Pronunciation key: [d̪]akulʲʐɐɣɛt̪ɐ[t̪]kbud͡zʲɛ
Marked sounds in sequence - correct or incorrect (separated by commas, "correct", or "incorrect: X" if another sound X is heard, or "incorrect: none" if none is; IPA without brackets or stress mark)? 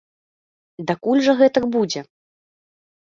correct, incorrect: none